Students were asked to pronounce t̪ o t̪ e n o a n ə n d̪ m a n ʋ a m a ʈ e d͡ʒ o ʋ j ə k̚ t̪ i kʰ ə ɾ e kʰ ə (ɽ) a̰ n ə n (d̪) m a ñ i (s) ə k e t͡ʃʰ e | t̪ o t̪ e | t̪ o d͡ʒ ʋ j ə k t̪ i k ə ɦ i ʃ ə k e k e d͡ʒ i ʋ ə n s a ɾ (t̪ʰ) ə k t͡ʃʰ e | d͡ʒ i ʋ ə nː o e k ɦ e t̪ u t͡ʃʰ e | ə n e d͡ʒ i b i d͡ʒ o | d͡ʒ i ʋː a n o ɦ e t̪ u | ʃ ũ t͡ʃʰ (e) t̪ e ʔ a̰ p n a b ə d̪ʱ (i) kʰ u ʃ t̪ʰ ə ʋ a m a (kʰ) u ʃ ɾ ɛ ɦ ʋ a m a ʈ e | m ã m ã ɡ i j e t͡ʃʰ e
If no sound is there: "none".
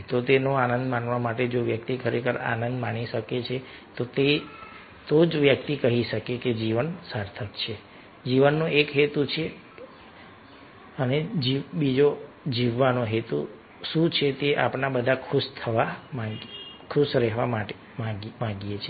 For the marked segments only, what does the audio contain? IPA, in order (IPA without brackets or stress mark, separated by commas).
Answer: ɾ, d̪, ʃ, t̪ʰ, e, a, kʰ